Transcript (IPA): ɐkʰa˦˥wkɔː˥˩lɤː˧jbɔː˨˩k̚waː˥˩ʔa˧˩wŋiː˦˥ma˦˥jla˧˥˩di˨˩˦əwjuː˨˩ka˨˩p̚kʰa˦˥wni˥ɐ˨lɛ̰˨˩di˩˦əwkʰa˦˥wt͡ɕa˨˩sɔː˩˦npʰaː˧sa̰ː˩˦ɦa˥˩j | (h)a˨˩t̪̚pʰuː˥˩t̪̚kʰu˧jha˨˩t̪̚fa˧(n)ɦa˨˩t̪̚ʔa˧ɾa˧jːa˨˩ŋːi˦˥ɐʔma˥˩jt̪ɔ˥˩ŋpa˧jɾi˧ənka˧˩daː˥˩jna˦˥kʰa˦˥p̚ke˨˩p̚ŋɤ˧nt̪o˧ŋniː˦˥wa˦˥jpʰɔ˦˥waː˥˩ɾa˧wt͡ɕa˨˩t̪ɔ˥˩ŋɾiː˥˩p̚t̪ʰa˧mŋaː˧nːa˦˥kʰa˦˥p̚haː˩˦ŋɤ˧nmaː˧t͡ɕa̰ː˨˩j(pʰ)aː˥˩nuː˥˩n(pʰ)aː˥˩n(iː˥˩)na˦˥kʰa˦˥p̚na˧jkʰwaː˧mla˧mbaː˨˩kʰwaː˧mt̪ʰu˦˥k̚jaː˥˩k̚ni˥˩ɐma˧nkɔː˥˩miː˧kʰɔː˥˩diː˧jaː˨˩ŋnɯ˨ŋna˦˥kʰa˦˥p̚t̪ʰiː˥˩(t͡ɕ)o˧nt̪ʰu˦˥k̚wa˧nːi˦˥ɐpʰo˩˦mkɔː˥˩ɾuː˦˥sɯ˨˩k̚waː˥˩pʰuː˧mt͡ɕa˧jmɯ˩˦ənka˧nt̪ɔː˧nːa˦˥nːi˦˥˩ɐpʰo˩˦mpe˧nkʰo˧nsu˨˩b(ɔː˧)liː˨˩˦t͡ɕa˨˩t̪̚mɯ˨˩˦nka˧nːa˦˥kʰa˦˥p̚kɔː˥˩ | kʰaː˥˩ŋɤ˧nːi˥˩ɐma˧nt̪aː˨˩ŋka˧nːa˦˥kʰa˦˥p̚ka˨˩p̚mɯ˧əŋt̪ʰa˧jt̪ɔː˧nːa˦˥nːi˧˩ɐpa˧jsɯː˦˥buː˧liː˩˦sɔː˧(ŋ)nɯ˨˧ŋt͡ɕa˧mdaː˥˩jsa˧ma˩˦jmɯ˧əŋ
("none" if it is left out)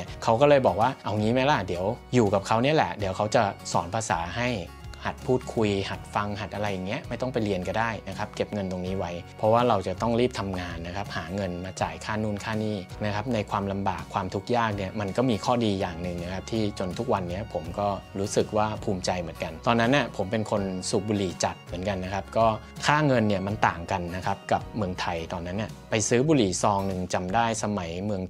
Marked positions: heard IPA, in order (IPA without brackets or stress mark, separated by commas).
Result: h, ŋ, kʰ, kʰ, iː˥˩, t͡ɕ, uː˧, ŋ